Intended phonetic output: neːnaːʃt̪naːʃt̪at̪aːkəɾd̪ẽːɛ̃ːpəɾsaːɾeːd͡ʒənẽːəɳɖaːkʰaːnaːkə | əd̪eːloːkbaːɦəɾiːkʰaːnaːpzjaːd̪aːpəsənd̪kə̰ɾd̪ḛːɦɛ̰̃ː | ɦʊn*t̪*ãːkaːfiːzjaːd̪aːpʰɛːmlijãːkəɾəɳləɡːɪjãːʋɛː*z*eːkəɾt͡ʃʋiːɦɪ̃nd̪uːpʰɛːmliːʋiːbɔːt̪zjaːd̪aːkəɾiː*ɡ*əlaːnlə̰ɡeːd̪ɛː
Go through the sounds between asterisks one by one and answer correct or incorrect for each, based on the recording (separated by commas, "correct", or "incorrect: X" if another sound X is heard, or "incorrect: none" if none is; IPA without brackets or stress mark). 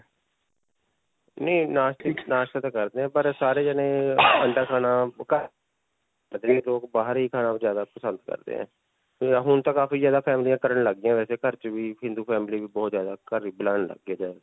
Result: correct, incorrect: s, incorrect: b